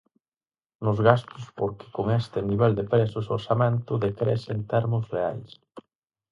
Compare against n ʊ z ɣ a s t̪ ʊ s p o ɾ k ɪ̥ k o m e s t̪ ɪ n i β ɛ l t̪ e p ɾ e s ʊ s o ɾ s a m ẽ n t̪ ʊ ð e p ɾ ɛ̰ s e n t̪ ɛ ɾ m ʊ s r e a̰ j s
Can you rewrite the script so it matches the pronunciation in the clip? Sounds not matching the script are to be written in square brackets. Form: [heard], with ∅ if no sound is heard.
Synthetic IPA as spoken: n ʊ z ɣ a s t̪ ʊ s p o ɾ k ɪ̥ k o [ŋ] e s t̪ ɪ n i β ɛ l [d̪] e p ɾ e s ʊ s o ɾ s a m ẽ n t̪ ʊ ð e [k] ɾ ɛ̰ s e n t̪ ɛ ɾ m ʊ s r e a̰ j s